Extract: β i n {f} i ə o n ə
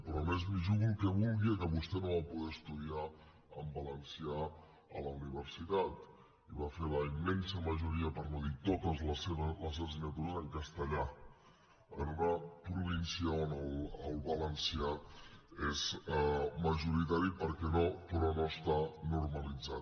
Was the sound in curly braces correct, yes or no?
no